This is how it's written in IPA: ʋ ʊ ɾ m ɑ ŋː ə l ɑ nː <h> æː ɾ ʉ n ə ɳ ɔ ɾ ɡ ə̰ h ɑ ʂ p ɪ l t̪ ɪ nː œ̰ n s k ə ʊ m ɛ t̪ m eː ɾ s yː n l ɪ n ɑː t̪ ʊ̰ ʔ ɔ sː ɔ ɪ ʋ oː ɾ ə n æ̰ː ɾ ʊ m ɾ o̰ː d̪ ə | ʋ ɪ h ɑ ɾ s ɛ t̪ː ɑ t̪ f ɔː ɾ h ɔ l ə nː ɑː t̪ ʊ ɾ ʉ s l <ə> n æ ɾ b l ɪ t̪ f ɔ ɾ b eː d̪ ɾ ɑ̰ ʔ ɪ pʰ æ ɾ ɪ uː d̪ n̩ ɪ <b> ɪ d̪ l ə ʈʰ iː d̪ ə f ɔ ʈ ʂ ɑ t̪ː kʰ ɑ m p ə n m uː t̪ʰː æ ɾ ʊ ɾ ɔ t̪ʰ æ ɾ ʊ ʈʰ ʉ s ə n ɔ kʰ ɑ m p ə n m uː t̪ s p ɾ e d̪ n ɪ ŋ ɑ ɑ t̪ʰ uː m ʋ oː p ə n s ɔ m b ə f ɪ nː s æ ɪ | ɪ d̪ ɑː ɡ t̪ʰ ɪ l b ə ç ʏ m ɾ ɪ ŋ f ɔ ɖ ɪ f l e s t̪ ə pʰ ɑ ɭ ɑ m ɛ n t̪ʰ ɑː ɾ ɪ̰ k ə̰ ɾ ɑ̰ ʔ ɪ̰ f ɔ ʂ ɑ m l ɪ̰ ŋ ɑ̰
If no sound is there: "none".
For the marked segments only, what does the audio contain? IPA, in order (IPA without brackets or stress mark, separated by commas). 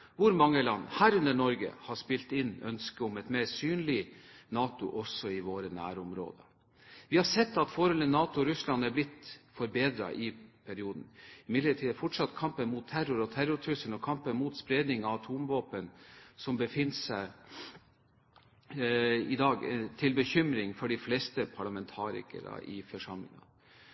h, ɑ, m